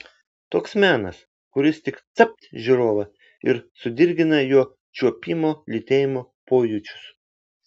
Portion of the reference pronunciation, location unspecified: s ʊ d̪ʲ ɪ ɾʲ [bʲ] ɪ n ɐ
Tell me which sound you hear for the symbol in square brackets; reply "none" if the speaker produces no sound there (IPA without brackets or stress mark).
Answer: ɡʲ